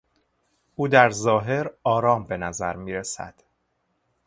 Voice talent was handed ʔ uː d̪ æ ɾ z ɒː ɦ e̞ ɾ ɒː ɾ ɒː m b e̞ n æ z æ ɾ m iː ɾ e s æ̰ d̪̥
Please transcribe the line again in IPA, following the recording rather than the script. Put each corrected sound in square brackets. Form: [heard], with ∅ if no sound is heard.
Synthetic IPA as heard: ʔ uː d̪ æ ɾ z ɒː ɦ e̞ ɾ ɒː ɾ ɒː m b e̞ n æ z æ ɾ m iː ɾ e s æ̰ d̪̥